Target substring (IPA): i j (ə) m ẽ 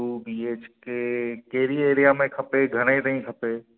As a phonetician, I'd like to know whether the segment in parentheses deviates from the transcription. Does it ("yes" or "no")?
yes